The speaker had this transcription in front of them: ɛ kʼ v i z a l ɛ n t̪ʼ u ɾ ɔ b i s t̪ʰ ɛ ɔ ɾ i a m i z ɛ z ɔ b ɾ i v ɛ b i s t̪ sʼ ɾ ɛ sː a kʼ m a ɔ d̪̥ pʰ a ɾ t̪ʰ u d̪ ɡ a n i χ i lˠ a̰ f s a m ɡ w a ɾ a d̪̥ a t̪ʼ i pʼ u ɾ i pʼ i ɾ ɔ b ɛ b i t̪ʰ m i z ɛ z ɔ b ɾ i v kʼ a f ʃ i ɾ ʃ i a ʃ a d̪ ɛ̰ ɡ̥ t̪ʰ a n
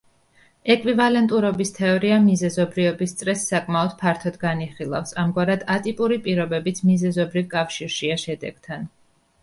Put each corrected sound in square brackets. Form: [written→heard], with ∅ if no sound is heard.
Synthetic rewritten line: ɛ kʼ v i [z→v] a l ɛ n t̪ʼ u ɾ ɔ b i s t̪ʰ ɛ ɔ ɾ i a m i z ɛ z ɔ b ɾ i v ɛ b i s t̪ sʼ ɾ ɛ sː a kʼ m a ɔ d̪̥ pʰ a ɾ t̪ʰ [u→ɔ] d̪ ɡ a n i χ i lˠ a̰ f s a m ɡ w a ɾ a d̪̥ a t̪ʼ i pʼ u ɾ i pʼ i ɾ ɔ b ɛ b i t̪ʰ m i z ɛ z ɔ b ɾ i v kʼ a f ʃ i ɾ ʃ i a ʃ [a→ɛ] d̪ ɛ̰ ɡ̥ t̪ʰ a n